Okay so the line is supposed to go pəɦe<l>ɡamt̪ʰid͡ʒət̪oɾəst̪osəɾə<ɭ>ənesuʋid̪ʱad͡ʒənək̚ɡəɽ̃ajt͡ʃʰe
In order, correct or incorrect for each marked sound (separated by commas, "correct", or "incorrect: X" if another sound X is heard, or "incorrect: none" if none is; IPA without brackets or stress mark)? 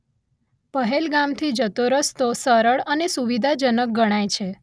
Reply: correct, correct